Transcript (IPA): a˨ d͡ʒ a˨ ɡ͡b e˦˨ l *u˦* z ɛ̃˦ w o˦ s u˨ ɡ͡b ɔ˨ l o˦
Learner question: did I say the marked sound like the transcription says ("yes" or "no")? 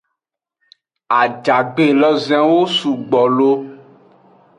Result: no